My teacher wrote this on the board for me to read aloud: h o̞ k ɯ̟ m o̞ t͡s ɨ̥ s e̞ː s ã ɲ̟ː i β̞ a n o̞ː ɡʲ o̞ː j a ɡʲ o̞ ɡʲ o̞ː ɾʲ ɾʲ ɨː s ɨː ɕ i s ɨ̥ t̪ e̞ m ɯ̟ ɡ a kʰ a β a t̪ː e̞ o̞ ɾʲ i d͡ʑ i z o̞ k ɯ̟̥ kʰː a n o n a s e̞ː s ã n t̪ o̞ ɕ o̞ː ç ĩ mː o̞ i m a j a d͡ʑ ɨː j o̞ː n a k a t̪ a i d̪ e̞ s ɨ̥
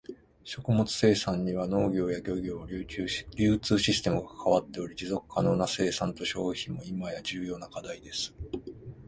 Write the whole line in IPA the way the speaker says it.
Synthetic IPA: ɕ o̞ k ɯ̟ m o̞ t͡s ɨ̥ s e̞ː s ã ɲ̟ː i β̞ a n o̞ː ɡʲ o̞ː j a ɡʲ o̞ ɡʲ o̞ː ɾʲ ɾʲ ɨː t͡s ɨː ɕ i s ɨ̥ t̪ e̞ m ɯ̟ ɡ a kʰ a β a t̪ː e̞ o̞ ɾʲ i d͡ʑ i z o̞ k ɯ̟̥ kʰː a n o n a s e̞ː s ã n t̪ o̞ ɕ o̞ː ç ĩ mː o̞ i m a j a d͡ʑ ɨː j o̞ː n a k a d̪ a i d̪ e̞ s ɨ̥